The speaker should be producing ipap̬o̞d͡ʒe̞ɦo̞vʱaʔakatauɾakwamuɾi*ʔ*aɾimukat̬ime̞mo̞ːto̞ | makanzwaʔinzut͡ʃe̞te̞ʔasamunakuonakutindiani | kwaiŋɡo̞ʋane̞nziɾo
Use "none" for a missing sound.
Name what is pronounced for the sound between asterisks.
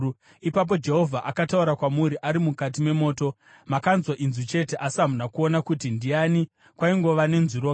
ʔ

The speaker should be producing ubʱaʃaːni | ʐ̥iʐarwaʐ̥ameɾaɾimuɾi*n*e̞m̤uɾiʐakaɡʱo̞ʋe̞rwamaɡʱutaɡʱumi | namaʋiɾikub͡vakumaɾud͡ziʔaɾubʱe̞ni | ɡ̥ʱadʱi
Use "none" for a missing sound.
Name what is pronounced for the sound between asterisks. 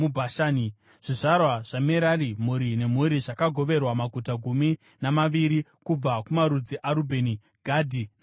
n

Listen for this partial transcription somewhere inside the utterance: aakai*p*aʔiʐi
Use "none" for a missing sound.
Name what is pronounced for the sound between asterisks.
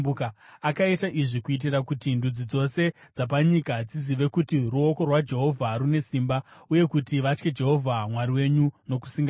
t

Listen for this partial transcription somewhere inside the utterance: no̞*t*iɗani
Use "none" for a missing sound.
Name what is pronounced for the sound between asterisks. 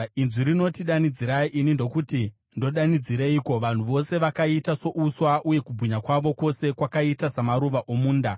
t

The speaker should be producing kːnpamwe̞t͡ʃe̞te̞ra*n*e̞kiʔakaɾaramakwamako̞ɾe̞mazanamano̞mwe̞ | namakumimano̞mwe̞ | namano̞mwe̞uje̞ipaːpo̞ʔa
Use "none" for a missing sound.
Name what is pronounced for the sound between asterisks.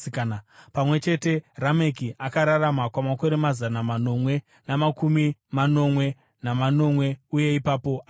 m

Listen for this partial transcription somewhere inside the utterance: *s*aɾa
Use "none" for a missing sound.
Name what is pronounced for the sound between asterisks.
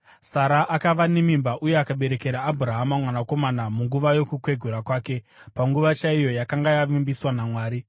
s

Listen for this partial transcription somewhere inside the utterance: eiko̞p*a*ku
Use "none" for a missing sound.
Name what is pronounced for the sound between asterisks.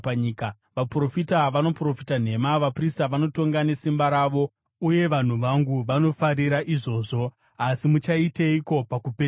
a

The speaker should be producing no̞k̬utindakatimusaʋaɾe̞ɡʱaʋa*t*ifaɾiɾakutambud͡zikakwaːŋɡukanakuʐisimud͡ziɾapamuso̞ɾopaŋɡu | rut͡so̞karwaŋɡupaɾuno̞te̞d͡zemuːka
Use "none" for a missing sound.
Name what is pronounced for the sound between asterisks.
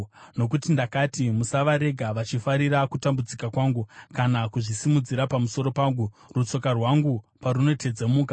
t͡ʃ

